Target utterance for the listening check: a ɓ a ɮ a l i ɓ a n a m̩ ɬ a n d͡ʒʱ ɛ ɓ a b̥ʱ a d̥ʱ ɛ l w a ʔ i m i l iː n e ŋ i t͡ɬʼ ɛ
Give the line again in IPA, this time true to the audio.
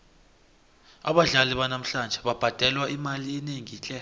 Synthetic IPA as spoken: a ɓ a ɮ a l i ɓ a n a m̩ ɬ a n d͡ʒʱ ɛ ɓ a b̥ʱ a d̥ʱ ɛ l w a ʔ i m a l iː n e ŋ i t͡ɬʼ ɛ